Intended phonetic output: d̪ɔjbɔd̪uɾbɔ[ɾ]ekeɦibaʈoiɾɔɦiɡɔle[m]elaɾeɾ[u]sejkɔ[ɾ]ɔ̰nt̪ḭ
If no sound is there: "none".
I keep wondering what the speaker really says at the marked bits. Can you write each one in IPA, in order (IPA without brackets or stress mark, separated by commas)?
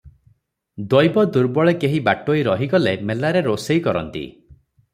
ɭ, m, o, ɾ